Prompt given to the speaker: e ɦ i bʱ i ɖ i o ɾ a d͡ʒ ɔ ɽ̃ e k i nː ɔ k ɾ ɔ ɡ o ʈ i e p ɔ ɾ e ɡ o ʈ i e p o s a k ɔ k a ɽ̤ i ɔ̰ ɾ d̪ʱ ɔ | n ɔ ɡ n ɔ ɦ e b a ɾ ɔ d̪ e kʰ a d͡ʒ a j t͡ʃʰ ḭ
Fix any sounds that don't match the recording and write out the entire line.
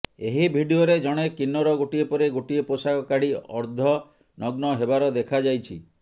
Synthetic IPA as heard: e ɦ i bʱ i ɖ i o ɾ e d͡ʒ ɔ ɽ̃ e k i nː ɔ ɾ ɔ ɡ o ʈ i e p ɔ ɾ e ɡ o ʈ i e p o s a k ɔ k a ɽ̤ i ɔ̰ ɾ d̪ʱ ɔ | n ɔ ɡ n ɔ ɦ e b a ɾ ɔ d̪ e kʰ a d͡ʒ a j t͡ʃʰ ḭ